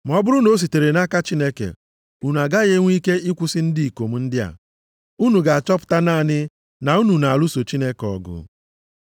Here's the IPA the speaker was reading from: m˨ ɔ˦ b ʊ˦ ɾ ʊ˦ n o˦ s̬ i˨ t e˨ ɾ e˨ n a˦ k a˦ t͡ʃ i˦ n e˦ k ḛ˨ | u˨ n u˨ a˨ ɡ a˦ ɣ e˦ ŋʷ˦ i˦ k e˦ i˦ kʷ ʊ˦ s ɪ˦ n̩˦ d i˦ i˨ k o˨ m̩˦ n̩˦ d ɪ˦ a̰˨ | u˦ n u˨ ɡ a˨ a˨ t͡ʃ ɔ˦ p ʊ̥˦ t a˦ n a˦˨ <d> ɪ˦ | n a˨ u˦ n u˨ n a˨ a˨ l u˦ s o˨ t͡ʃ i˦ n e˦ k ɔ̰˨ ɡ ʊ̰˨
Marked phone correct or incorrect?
incorrect